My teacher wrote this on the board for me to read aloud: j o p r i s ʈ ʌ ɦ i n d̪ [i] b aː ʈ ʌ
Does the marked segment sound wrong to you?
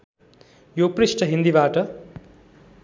no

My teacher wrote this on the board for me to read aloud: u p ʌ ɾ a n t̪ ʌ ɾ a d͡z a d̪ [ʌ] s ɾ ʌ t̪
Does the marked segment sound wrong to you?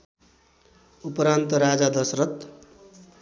no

